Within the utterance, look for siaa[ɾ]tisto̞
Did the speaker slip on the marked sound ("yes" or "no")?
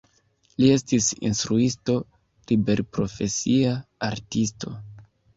no